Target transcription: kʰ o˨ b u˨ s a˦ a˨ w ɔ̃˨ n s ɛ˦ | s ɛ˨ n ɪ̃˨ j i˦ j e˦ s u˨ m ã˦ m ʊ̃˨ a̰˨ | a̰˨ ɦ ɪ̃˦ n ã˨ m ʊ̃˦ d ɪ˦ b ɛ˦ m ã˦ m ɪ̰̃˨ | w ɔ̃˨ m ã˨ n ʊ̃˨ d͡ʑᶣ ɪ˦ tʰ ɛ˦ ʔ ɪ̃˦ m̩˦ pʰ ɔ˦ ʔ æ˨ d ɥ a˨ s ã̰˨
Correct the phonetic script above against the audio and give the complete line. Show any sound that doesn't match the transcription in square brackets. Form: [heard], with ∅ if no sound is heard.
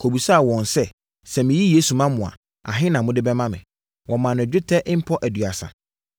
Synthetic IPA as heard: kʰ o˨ b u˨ s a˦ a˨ w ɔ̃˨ n s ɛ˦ | s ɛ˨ [m] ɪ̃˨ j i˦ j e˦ s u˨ m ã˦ m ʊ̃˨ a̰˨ | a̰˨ ɦ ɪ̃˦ n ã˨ m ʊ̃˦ d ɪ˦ b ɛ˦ m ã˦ m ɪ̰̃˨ | w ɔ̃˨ m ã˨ n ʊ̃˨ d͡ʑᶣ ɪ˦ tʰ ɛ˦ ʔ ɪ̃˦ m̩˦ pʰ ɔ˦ ʔ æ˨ d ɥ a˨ s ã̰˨